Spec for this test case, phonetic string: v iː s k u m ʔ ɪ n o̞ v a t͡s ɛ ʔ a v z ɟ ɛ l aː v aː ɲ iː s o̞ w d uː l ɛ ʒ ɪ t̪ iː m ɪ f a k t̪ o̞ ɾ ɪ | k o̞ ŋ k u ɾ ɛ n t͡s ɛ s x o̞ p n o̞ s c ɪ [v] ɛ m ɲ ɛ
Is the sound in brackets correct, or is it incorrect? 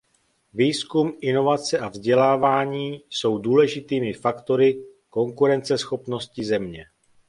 incorrect